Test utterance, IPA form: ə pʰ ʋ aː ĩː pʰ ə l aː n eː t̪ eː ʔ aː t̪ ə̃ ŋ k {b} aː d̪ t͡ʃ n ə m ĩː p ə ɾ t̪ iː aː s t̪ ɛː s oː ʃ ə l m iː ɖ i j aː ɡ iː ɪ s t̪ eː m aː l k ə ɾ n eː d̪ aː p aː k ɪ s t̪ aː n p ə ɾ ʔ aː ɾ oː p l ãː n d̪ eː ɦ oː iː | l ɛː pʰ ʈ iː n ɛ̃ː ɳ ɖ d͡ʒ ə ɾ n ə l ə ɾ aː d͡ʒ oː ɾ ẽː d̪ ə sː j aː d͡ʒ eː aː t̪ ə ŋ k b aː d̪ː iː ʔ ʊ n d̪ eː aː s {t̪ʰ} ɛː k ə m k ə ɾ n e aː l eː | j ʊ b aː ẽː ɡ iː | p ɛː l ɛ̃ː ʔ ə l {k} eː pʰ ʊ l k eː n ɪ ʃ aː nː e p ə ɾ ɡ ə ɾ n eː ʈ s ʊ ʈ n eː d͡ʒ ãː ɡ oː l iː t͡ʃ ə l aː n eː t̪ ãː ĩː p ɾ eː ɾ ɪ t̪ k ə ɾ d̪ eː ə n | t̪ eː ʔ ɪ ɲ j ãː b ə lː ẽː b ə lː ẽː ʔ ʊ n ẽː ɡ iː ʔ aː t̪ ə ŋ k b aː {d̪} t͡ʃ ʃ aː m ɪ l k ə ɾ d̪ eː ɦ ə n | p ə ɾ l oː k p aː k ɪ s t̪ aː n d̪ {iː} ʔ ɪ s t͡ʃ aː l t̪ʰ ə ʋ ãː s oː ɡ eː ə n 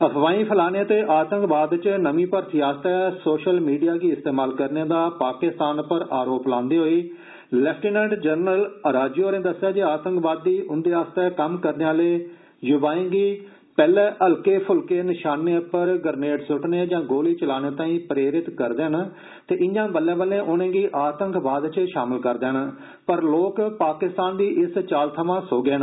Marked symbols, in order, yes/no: yes, no, yes, yes, yes

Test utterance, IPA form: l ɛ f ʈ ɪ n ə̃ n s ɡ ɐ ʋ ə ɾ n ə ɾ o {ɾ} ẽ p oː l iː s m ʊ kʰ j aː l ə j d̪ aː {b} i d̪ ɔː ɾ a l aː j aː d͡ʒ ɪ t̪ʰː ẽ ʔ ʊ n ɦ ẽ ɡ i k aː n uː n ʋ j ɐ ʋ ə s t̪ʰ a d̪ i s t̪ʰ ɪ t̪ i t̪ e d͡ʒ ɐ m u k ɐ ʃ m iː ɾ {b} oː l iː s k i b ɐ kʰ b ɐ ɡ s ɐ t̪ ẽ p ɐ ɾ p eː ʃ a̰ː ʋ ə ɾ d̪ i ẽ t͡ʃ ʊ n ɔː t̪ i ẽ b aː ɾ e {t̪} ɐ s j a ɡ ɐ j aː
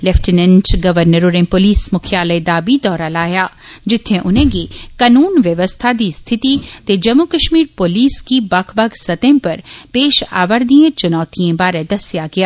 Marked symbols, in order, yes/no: yes, yes, no, no

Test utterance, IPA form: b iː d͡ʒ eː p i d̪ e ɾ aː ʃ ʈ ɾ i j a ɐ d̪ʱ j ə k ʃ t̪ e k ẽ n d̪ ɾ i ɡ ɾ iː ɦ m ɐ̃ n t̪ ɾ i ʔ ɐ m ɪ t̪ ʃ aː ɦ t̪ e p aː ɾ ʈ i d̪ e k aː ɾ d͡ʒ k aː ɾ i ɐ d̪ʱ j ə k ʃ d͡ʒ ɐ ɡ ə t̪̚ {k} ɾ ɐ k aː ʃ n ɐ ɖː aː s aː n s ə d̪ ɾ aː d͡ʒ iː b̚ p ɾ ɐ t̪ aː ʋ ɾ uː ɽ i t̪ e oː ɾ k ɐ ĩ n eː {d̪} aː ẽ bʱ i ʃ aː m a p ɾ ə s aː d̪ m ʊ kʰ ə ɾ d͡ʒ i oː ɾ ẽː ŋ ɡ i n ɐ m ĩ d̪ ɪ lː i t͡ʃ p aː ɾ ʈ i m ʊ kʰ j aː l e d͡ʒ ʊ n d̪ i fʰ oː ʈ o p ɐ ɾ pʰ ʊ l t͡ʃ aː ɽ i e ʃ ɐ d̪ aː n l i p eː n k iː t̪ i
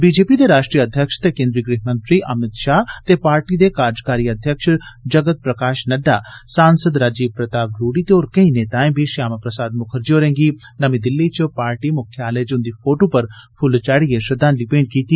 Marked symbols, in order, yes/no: no, no

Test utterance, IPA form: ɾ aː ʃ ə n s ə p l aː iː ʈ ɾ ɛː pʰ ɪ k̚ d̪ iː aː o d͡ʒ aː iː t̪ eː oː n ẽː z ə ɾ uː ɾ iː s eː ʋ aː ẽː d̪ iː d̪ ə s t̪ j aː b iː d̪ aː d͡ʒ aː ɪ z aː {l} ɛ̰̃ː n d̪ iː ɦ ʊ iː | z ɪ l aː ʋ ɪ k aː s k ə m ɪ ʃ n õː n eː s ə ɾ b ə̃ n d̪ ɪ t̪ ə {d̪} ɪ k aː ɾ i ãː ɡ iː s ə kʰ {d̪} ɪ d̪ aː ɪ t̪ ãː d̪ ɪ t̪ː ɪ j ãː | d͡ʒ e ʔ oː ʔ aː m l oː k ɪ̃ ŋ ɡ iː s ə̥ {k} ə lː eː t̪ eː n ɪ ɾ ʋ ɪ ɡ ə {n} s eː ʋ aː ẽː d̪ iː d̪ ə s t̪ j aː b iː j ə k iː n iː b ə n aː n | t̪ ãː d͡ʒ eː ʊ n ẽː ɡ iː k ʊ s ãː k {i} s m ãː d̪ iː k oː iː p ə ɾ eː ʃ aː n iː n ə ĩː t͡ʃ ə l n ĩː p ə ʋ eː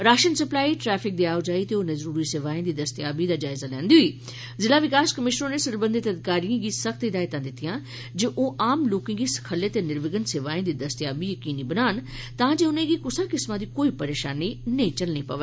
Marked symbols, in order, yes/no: yes, yes, no, no, yes, no

